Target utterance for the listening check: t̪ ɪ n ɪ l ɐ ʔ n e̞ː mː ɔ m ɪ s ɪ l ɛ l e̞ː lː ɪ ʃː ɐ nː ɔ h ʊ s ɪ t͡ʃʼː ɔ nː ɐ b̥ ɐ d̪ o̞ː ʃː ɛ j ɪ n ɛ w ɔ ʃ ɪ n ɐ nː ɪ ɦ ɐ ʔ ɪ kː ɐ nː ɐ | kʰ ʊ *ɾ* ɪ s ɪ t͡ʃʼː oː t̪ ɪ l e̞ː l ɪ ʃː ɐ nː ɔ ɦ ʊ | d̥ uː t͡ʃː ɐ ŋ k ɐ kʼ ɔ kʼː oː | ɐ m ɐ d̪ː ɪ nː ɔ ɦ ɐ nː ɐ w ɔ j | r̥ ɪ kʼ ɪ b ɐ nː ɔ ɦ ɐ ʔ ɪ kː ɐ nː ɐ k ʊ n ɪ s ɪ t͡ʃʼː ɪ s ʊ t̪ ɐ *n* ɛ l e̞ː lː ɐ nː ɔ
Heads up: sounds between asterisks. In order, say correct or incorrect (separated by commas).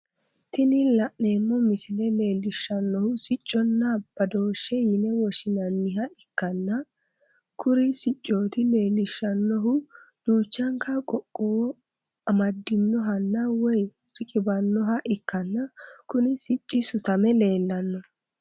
correct, incorrect